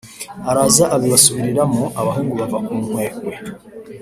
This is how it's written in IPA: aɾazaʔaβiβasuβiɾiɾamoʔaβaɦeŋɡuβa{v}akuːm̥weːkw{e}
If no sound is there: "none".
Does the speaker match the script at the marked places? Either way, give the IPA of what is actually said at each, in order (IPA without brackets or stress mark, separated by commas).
v, e